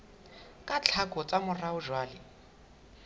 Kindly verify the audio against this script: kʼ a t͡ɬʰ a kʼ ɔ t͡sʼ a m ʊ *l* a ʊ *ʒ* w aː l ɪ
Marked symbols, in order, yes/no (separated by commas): no, yes